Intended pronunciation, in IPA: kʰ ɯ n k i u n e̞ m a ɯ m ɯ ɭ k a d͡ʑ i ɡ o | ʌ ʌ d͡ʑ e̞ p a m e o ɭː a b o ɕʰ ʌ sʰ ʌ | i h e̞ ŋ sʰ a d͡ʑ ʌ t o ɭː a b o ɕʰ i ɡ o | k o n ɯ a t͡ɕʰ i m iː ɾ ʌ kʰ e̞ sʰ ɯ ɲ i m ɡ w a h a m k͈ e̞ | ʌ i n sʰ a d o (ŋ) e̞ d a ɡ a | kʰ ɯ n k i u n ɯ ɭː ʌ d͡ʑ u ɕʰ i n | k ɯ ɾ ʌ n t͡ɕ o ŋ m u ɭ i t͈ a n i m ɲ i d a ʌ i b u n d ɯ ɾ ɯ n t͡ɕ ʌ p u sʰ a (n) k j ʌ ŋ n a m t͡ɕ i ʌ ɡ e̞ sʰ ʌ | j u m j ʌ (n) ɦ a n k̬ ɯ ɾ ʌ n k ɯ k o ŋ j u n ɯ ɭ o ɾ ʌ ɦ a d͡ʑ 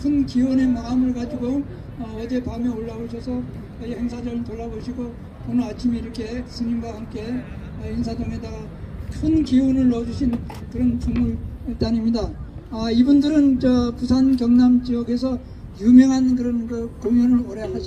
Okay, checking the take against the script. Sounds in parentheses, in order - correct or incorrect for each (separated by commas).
correct, correct, incorrect